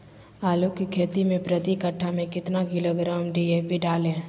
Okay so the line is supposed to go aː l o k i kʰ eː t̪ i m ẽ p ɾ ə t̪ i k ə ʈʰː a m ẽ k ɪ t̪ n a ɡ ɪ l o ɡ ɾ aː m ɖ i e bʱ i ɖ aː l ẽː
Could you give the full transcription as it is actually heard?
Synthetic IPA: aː l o k i kʰ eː t̪ i m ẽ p ɾ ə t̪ i k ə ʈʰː a m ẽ k ɪ t̪ n a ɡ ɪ l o ɡ ɾ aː m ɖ i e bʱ i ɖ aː l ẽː